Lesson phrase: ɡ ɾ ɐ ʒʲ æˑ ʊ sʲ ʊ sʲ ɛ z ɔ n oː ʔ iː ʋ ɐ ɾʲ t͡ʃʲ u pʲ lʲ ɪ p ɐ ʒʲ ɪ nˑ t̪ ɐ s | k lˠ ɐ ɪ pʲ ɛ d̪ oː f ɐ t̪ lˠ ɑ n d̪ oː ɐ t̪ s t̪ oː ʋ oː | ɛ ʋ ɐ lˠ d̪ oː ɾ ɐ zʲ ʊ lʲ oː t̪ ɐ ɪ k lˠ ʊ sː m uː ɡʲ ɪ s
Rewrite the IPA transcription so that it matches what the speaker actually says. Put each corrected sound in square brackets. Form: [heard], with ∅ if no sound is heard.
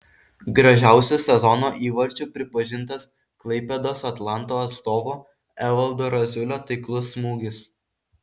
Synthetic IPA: ɡ ɾ ɐ ʒʲ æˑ ʊ sʲ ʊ sʲ ɛ z ɔ n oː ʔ iː ʋ ɐ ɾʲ t͡ʃʲ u pʲ [ɾʲ] ɪ p ɐ ʒʲ ɪ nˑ t̪ ɐ s | k lˠ ɐ ɪ pʲ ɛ d̪ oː [s] ɐ t̪ lˠ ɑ n [t̪] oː ɐ t̪ s t̪ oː ʋ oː | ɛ ʋ ɐ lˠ d̪ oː ɾ ɐ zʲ ʊ lʲ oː t̪ ɐ ɪ k lˠ ʊ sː m uː ɡʲ ɪ s